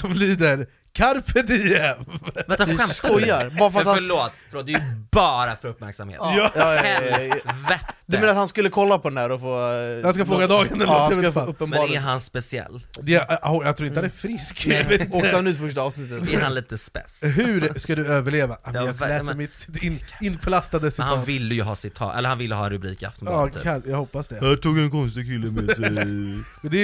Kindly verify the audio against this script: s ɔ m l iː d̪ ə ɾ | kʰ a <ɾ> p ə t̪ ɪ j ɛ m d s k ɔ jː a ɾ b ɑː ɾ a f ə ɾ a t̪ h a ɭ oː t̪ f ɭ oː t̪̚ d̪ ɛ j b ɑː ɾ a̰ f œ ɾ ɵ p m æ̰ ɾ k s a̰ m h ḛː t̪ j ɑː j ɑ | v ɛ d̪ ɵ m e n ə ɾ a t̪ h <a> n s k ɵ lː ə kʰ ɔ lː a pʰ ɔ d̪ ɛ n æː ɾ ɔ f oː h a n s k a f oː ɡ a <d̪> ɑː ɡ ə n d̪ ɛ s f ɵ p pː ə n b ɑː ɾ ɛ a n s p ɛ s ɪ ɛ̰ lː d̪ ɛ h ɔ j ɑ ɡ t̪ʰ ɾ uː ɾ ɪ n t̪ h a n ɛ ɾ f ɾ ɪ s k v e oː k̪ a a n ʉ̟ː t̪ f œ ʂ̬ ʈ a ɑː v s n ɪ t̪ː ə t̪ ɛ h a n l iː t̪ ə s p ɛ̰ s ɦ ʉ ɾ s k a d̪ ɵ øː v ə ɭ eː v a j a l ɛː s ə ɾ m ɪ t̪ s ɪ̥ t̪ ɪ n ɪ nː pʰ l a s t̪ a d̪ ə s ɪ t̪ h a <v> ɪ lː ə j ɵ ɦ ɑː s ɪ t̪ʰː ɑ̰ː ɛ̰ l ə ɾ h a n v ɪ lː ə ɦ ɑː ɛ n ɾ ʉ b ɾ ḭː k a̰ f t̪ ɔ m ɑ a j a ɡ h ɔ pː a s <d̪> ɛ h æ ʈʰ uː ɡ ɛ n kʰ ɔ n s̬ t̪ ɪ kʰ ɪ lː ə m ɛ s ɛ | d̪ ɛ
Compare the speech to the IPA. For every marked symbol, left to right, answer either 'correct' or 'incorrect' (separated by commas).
correct, correct, correct, correct, correct